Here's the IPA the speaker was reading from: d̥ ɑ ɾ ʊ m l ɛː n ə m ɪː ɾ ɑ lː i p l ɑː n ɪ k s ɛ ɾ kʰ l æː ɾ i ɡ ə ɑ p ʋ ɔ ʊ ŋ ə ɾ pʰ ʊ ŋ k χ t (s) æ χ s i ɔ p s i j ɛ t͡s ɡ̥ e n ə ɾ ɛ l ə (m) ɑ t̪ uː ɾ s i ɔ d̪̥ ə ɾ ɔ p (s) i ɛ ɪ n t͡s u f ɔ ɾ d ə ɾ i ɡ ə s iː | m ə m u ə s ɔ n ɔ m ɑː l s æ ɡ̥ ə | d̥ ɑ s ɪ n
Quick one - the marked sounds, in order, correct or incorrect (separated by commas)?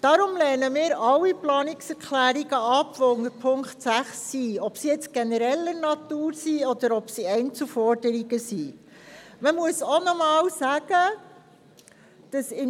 correct, incorrect, correct